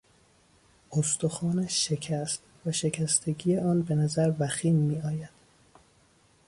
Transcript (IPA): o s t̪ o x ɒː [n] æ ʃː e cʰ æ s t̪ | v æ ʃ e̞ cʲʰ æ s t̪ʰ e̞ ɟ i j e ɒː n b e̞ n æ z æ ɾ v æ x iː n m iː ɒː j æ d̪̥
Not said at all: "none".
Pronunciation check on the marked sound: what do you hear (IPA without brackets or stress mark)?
n